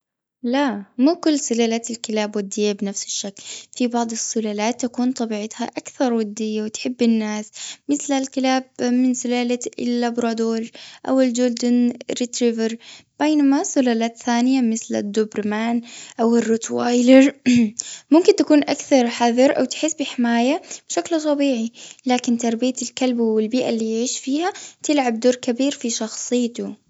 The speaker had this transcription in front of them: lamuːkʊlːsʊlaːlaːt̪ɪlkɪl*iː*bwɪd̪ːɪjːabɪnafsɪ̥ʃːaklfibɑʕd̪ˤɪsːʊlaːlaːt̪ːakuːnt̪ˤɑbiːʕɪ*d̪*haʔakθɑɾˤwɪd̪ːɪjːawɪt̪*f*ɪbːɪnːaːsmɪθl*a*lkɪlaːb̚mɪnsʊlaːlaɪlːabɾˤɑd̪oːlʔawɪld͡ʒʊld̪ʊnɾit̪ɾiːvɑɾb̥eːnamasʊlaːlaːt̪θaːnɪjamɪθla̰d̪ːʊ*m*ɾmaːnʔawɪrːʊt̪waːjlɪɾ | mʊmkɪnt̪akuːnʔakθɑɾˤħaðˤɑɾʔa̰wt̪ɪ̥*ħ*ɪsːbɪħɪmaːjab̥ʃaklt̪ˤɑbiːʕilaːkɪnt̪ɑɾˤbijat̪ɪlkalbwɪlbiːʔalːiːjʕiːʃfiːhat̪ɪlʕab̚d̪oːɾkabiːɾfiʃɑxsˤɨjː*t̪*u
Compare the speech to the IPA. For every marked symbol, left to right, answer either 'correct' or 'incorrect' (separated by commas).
incorrect, incorrect, incorrect, correct, incorrect, correct, correct